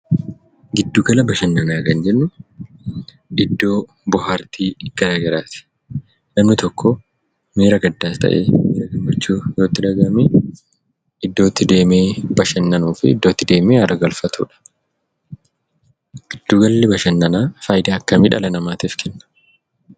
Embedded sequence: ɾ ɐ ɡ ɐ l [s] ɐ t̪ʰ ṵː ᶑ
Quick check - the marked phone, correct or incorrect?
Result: incorrect: f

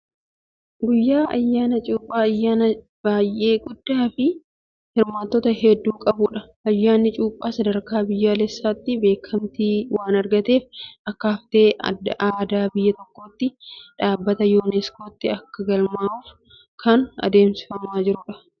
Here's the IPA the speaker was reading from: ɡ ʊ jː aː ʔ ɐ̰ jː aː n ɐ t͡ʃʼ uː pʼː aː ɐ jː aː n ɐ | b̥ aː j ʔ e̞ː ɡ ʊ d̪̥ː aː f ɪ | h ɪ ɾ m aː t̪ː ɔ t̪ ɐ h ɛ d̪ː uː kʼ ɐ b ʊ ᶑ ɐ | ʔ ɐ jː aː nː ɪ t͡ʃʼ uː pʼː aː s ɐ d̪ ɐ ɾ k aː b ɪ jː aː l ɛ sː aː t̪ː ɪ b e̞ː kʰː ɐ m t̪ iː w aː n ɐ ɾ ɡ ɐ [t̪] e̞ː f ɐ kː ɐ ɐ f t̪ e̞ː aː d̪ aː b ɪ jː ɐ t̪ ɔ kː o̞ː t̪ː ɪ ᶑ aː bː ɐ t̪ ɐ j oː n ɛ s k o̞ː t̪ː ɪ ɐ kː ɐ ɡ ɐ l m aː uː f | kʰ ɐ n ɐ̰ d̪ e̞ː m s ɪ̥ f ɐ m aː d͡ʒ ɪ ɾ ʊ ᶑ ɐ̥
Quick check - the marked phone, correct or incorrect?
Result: correct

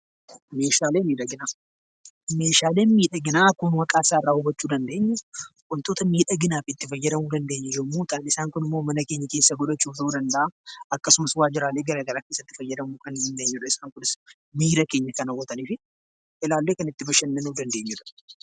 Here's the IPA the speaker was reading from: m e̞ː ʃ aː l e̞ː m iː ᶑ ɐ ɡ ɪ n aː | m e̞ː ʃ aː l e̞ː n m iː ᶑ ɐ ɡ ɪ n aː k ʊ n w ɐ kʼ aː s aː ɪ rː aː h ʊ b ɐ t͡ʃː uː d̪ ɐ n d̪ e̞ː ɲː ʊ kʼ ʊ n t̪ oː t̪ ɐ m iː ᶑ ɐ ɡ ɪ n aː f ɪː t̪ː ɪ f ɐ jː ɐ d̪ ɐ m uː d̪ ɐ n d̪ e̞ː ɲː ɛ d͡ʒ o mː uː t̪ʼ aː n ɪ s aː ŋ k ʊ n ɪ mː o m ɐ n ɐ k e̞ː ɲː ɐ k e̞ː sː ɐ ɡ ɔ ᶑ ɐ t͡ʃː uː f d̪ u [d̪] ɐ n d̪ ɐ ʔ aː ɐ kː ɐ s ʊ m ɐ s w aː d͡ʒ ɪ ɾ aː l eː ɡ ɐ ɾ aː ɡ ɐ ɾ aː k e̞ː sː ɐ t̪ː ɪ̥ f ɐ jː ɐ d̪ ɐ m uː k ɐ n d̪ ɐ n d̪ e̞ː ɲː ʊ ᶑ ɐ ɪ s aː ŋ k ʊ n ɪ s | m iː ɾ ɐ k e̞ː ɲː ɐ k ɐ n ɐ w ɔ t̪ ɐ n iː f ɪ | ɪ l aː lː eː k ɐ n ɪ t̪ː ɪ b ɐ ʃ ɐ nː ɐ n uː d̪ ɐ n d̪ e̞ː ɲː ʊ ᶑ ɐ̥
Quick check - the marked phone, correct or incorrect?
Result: correct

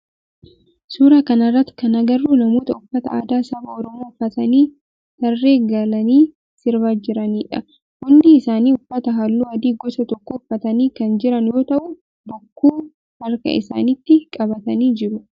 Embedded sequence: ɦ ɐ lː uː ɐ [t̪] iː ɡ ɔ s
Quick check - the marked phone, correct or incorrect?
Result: incorrect: d̪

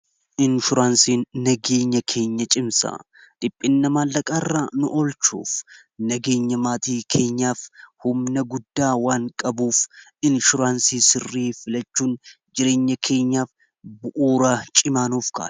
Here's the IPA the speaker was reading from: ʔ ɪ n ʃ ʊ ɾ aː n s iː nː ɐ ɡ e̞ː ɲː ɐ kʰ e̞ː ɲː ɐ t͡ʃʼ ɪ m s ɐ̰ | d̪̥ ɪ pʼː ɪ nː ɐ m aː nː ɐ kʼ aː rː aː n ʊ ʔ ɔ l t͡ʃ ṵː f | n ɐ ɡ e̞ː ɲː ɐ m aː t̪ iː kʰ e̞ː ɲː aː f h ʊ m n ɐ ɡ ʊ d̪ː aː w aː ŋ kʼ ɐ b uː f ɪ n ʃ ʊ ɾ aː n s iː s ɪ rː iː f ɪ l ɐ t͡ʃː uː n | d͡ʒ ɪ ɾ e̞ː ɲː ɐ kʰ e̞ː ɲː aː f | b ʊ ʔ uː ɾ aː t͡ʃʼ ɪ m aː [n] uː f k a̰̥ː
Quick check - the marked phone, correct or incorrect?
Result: correct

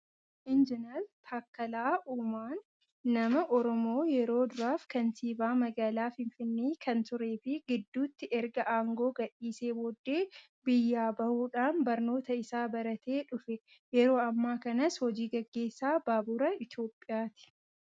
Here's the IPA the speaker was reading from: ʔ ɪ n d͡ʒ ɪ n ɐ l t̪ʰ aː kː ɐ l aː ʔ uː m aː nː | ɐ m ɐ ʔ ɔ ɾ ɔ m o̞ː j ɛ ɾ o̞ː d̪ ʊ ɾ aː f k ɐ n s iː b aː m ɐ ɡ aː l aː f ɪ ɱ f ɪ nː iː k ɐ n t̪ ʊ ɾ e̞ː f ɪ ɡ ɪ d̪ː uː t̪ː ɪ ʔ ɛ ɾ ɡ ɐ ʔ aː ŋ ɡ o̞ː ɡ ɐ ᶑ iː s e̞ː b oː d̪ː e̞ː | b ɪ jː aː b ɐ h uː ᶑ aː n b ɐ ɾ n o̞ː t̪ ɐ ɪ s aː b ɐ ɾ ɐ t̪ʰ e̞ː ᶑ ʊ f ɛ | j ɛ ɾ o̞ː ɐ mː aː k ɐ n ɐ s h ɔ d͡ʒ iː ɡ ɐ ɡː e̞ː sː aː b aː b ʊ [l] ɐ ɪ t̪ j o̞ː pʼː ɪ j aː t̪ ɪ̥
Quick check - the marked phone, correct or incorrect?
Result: incorrect: ɾ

